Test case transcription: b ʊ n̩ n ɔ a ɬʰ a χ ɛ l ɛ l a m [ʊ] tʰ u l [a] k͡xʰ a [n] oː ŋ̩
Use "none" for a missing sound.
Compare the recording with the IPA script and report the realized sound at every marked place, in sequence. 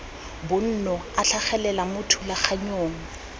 ʊ, a, ɲ

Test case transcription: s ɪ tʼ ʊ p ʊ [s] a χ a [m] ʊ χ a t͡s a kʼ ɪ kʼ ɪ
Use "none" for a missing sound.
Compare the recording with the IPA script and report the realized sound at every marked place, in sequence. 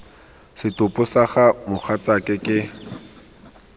s, m

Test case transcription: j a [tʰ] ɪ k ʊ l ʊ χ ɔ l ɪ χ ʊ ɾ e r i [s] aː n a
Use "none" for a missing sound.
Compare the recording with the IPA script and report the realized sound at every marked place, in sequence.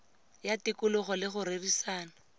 t, s

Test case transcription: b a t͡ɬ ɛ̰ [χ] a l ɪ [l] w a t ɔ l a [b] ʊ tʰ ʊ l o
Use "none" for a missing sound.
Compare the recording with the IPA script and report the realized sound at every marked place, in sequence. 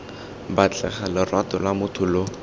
χ, r, m

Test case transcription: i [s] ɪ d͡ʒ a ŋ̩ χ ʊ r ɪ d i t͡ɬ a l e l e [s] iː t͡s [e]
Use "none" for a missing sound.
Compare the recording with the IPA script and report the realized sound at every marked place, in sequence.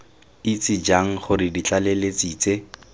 t͡s, t͡s, e

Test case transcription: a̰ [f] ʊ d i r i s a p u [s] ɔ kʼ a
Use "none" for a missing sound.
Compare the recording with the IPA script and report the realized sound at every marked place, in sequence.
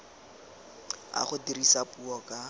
χ, none

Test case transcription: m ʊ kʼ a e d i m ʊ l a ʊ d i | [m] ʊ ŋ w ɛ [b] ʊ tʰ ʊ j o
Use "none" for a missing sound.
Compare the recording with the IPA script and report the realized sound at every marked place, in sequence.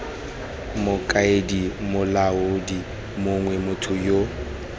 m, m

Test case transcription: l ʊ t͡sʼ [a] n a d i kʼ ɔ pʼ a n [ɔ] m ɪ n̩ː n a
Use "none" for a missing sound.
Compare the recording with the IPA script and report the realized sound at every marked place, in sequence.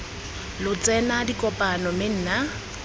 ɛ, ɔ

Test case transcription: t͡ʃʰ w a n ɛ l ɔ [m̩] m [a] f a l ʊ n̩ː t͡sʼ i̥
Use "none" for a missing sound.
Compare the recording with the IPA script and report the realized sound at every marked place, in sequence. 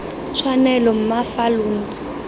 m̩, a

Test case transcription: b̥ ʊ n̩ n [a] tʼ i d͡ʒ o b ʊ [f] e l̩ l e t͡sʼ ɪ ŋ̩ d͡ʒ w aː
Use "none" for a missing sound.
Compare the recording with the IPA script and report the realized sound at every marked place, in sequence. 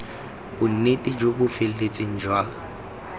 e, f

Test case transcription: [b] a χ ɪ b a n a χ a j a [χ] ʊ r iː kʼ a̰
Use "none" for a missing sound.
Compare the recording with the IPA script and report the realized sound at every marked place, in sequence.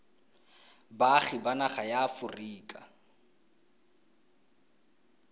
b, f

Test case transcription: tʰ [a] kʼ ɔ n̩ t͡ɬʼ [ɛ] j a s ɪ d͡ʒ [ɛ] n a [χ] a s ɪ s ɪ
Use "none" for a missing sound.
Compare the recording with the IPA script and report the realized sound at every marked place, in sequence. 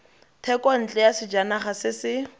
ɛ, ɛ, a, χ

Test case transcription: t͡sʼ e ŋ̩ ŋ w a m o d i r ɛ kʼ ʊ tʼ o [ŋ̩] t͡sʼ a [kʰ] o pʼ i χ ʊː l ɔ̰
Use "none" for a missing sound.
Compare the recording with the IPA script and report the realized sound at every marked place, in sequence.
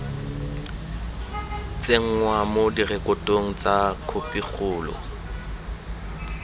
ŋ̩, kʰ

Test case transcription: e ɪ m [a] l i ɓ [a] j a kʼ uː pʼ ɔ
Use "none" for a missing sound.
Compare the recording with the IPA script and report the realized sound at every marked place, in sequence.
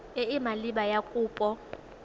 a, a

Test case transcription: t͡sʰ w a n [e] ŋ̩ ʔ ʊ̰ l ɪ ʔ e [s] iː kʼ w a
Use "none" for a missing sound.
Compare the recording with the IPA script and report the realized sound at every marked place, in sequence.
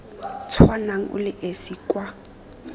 a, s

